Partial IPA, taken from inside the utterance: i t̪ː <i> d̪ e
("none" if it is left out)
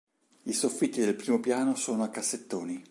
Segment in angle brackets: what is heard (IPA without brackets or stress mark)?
i